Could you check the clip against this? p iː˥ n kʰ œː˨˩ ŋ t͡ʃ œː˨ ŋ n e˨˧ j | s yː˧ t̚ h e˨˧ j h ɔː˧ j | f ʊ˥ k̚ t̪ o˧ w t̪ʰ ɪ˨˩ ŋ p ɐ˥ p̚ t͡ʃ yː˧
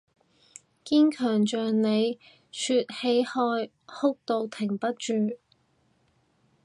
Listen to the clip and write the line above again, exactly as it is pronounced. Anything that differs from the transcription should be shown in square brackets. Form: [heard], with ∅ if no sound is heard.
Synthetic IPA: [k] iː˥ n kʰ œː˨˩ ŋ t͡ʃ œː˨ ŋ n e˨˧ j | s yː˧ t̚ h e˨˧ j h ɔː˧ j | [h] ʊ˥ k̚ t̪ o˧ w t̪ʰ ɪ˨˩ ŋ p ɐ˥ [t̚] t͡ʃ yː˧